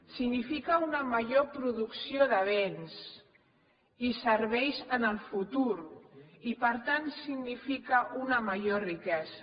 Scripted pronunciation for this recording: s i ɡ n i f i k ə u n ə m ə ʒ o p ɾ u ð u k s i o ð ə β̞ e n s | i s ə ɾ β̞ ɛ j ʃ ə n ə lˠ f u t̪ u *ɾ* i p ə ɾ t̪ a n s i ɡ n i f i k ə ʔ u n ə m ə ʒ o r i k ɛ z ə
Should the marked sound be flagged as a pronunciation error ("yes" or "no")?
no